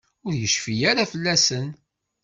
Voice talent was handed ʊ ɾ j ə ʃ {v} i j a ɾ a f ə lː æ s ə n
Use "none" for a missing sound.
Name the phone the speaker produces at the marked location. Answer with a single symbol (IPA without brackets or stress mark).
f